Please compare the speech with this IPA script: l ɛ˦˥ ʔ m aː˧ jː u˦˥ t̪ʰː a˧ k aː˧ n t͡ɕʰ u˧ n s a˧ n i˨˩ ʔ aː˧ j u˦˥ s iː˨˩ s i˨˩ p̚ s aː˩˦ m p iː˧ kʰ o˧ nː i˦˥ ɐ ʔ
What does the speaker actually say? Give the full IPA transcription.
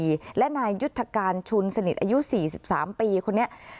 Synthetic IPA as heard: l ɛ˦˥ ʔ n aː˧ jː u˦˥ t̪ʰː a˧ k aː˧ n t͡ɕʰ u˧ n s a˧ n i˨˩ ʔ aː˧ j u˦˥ s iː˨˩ s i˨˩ p̚ s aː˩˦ m p iː˧ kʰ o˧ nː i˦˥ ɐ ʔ

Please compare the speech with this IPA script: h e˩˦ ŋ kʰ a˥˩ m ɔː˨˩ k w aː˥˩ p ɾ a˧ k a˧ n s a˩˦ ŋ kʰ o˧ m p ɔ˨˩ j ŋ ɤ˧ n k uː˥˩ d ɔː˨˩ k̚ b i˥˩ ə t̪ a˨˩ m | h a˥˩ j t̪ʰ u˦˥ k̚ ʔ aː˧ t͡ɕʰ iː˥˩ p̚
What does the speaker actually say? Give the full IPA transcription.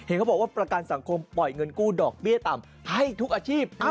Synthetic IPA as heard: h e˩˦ n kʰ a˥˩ b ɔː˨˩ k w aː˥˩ p ɾ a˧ k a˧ n s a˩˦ ŋ kʰ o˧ m p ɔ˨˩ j ŋ ɤ˧ n k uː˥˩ d ɔː˨˩ k̚ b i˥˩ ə t̪ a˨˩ m | h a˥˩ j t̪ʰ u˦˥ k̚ ʔ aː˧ t͡ɕʰ iː˥˩ p̚

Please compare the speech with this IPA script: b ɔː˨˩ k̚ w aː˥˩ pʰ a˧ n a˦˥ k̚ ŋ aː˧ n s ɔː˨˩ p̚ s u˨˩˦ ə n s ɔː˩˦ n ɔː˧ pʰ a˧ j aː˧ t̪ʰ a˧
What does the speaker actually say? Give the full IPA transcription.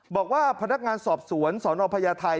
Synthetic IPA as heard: b ɔː˨˩ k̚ w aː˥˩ pʰ a˧ n a˦˥ k̚ ŋ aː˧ n s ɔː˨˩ p̚ s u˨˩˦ ə n s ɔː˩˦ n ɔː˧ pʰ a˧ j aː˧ t̪ʰ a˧

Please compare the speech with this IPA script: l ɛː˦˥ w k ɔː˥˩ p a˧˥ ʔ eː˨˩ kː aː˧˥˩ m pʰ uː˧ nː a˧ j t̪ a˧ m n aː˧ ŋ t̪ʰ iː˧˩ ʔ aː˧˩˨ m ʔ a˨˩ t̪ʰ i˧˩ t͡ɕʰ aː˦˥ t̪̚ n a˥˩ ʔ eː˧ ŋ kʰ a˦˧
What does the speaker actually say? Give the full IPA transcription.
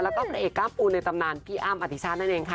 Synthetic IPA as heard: l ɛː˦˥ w k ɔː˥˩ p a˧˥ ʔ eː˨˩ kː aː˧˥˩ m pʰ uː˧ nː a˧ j t̪ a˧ m n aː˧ n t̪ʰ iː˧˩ ʔ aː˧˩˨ m ʔ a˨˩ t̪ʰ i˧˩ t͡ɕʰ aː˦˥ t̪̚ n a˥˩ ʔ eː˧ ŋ kʰ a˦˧

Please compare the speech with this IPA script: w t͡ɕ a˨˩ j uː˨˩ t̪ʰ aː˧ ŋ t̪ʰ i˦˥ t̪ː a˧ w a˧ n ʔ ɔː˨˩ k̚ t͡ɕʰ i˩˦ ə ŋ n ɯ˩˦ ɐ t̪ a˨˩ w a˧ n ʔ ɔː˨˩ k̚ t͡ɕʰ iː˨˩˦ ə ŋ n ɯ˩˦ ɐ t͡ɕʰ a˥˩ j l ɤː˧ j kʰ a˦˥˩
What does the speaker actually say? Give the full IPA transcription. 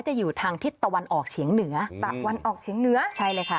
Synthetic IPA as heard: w t͡ɕ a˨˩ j uː˨˩ t̪ʰ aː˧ ŋ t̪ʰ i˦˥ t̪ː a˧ w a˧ n ʔ ɔː˨˩ k̚ t͡ɕʰ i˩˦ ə ŋ n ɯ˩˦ ɐ t̪ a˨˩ w a˧ n ʔ ɔː˨˩ k̚ t͡ɕʰ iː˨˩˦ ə ŋ n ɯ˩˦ ɐ t͡ɕʰ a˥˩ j l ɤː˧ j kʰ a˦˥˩

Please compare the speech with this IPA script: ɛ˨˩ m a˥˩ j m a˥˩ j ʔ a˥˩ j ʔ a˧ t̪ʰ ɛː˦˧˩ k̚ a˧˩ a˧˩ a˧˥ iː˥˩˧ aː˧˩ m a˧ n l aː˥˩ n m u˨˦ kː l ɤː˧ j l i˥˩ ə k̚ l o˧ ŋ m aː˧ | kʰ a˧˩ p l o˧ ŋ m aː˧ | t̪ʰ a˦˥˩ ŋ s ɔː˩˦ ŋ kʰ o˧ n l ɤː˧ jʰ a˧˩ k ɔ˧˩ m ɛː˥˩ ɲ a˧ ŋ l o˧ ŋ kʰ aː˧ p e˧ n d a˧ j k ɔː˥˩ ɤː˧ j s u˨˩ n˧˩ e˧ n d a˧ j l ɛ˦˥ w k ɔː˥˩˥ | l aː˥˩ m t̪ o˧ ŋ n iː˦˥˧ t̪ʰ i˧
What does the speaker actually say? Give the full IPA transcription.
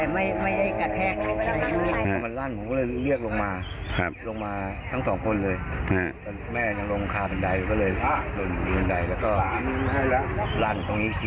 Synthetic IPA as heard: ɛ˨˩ m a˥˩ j m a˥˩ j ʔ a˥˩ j k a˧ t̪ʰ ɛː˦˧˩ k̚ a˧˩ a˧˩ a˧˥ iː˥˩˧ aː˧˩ m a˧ n l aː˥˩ n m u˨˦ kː l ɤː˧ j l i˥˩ ə k̚ l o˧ ŋ m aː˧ | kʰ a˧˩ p l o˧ ŋ m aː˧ | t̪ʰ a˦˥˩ ŋ s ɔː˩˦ ŋ kʰ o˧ n l ɤː˧ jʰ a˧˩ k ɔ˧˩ m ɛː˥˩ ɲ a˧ ŋ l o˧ ŋ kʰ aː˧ p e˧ n d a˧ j k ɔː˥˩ ɤː˧ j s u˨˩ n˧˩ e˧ n d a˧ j l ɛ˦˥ w k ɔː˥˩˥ | l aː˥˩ n t̪ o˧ ŋ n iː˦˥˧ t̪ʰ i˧

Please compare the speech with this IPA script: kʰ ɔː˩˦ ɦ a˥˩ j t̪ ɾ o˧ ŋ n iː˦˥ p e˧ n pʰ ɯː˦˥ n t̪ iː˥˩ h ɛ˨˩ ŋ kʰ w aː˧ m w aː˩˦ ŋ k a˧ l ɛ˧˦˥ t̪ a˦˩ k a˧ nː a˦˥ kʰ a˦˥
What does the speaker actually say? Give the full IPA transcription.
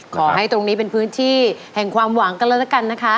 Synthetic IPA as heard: kʰ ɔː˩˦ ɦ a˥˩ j t̪ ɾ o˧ ŋ n iː˦˥ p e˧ n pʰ ɯː˦˥ n t̪ʰ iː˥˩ h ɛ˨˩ ŋ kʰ w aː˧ m w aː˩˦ ŋ k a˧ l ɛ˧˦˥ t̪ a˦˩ k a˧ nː a˦˥ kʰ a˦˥

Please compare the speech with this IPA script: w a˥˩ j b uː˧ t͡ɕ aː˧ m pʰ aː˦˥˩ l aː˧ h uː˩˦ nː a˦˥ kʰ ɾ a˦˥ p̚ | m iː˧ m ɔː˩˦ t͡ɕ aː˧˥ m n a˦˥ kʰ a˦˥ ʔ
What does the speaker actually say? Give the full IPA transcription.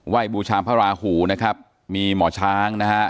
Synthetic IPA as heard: w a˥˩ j b uː˧ t͡ɕʰ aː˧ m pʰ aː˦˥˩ ɾ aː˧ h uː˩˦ n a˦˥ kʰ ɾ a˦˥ p̚ | m iː˧ m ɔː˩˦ t͡ɕʰ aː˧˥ ŋ n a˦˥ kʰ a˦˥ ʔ

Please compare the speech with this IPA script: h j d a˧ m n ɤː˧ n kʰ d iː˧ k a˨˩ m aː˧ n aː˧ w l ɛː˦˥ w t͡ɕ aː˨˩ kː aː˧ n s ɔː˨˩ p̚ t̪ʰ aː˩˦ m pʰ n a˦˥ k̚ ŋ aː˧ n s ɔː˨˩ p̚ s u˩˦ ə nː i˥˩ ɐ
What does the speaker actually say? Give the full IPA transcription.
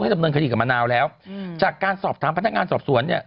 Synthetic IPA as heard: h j d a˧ m n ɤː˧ n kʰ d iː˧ k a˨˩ m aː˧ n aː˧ w l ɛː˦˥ w t͡ɕ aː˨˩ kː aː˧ n s ɔː˨˩ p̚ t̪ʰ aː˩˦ m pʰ n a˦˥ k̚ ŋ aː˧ n s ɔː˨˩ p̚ s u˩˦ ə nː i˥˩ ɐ

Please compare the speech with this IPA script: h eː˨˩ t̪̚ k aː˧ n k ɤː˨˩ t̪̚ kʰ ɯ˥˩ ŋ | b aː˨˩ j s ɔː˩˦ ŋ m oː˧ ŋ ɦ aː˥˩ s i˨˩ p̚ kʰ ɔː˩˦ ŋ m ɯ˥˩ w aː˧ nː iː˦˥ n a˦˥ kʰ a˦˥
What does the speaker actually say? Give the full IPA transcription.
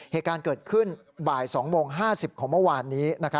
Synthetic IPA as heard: h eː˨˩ t̪̚ k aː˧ n k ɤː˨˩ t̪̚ kʰ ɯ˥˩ n | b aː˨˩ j s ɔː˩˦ ŋ m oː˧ ŋ ɦ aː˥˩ s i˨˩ p̚ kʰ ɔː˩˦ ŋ m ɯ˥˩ w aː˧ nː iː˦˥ n a˦˥ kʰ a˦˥

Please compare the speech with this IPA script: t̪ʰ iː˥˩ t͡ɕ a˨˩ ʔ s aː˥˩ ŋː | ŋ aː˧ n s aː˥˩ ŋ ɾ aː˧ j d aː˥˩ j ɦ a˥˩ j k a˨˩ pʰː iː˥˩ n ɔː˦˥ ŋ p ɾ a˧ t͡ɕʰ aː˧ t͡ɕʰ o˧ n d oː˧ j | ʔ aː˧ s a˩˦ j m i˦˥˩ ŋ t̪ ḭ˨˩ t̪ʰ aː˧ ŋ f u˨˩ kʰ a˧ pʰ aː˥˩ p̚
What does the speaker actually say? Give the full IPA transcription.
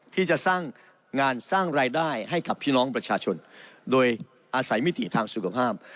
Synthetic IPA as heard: t̪ʰ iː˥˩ t͡ɕ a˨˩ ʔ s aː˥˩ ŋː | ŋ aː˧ n s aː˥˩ ŋ ɾ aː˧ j d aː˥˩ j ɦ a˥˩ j k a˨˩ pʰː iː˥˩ n ɔː˦˥ ŋ p ɾ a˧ t͡ɕʰ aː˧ t͡ɕʰ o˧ n d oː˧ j | ʔ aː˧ s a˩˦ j m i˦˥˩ t̪ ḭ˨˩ t̪ʰ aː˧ ŋ s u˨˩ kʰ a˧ pʰ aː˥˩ p̚

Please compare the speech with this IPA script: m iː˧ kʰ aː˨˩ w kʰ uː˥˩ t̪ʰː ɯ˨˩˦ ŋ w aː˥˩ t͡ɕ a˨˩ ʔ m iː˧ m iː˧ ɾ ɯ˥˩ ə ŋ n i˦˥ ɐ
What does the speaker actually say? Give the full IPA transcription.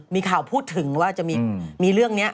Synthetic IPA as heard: m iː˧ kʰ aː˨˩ w pʰ uː˥˩ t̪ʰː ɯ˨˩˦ ŋ w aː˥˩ t͡ɕ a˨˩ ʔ m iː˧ m iː˧ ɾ ɯ˥˩ ə ŋ n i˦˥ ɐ

